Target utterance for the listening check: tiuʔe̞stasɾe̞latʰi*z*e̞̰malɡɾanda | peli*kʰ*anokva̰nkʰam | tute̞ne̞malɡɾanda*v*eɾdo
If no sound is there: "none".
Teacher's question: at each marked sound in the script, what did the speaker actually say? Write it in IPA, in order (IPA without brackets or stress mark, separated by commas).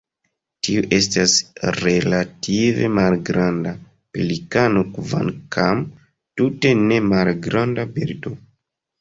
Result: v, k, b